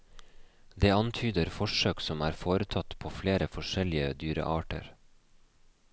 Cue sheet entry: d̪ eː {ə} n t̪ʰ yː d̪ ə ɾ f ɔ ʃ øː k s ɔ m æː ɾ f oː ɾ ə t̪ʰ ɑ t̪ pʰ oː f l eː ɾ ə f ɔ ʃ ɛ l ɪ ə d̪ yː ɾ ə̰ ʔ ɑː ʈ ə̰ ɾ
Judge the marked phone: incorrect: ɑ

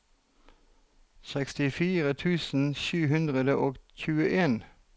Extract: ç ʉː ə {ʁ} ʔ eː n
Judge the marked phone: incorrect: none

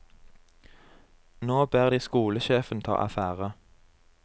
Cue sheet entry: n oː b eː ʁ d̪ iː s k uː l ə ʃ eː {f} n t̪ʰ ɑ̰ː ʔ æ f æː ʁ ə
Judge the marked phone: correct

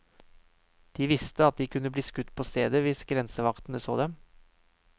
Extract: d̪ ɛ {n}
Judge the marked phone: incorrect: m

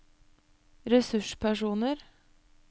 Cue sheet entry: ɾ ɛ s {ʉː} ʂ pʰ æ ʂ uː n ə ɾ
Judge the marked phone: incorrect: ʉ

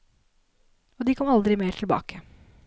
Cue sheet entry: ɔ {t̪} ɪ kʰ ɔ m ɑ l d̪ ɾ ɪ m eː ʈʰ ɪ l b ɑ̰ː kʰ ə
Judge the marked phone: incorrect: d̪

